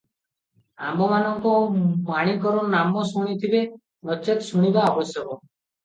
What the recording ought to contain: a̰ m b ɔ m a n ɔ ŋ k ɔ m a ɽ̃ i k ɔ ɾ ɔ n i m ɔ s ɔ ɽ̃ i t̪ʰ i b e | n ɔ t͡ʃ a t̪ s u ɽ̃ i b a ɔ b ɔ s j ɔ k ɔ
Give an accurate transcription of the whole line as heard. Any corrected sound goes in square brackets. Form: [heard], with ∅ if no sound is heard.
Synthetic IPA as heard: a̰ m b ɔ m a n ɔ ŋ k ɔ m a ɽ̃ i k ɔ ɾ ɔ n [a] m ɔ s [u] ɽ̃ i t̪ʰ i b e | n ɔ t͡ʃ [e] t̪ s u ɽ̃ i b a ɔ b ɔ s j ɔ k ɔ

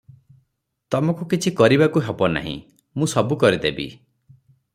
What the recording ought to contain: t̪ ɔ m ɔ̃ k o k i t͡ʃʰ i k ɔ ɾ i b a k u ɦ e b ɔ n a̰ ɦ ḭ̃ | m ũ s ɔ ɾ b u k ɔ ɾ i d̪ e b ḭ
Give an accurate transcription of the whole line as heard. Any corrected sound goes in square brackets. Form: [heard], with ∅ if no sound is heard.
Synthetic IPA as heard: t̪ ɔ m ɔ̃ k [u] k i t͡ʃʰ i k ɔ ɾ i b a k u ɦ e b ɔ n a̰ ɦ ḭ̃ | m ũ s ɔ [∅] b u k ɔ ɾ i d̪ e b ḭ

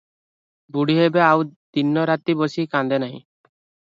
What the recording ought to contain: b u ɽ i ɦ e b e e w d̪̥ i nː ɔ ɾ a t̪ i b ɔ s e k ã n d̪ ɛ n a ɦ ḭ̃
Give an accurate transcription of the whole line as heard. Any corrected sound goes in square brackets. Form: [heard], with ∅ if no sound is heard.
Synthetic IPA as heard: b u ɽ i ɦ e b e [a] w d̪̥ i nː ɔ ɾ a t̪ i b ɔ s [i] k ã n d̪ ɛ n a ɦ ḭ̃

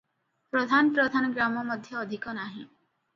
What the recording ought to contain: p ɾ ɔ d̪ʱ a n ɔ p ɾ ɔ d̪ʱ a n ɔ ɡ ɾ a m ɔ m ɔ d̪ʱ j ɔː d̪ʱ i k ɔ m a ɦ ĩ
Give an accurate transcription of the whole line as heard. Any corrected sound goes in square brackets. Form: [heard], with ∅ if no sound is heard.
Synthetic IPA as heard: p ɾ ɔ d̪ʱ a n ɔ p ɾ ɔ d̪ʱ a n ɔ ɡ ɾ a m ɔ m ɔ d̪ʱ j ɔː d̪ʱ i k ɔ [n] a ɦ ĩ

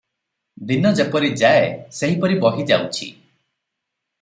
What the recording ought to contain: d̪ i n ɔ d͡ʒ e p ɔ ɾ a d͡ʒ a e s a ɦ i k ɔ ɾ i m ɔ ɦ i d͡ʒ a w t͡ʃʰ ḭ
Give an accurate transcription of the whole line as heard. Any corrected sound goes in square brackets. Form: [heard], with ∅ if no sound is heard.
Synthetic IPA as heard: d̪ i n ɔ d͡ʒ e p ɔ ɾ [i] d͡ʒ a e s [e] ɦ i [p] ɔ ɾ i [b] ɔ ɦ i d͡ʒ a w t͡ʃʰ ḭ

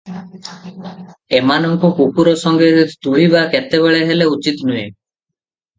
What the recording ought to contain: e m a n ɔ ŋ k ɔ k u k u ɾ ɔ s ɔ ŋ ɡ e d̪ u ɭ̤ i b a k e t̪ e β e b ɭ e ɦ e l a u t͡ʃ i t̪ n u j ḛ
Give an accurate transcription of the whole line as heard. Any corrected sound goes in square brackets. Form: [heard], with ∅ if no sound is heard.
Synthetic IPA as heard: e m a n ɔ ŋ k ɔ k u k u ɾ ɔ s ɔ ŋ ɡ e [t̪] u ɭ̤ i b a k e t̪ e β e [∅] ɭ e ɦ e l [e] u t͡ʃ i t̪ n u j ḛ

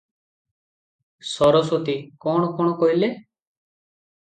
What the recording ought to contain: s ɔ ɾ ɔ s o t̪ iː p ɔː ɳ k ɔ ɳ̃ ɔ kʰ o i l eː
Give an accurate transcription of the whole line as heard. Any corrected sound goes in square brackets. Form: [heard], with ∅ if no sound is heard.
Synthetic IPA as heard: s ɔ ɾ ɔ s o t̪ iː [k] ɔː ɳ k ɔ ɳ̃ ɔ [k] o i l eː

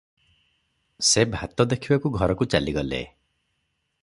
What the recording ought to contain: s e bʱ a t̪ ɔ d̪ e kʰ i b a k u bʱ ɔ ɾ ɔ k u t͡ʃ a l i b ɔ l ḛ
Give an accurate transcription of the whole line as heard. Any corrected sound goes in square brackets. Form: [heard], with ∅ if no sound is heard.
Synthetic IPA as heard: s e bʱ a t̪ ɔ d̪ e kʰ i b a k u [ɡʱ] ɔ ɾ ɔ k u t͡ʃ a l i [ɡ] ɔ l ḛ

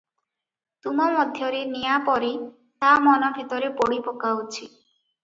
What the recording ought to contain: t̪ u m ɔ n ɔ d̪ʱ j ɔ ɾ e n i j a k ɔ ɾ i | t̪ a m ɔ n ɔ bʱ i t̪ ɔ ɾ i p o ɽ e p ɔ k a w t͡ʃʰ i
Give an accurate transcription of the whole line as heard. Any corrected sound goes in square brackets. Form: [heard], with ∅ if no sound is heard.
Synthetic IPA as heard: t̪ u m ɔ [m] ɔ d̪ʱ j ɔ ɾ e n i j a [p] ɔ ɾ i | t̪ a m ɔ n ɔ bʱ i t̪ ɔ ɾ [e] p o ɽ [i] p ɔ k a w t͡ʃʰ i

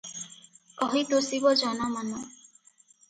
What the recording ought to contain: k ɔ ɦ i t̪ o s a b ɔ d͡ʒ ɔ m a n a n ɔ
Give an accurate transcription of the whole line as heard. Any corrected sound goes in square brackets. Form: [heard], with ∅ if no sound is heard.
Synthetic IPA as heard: k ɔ ɦ i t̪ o s [i] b ɔ d͡ʒ ɔ [n] a [m] a n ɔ

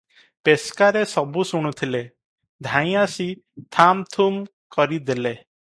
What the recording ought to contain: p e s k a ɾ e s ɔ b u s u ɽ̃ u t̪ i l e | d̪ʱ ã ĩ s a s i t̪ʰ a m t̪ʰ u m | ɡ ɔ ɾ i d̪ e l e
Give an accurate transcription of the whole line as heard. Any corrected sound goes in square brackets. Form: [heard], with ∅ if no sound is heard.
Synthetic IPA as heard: p e s k a ɾ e s ɔ b u s u ɽ̃ u [t̪ʰ] i l e | d̪ʱ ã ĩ [∅] a s i t̪ʰ a m t̪ʰ u m | [k] ɔ ɾ i d̪ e l e

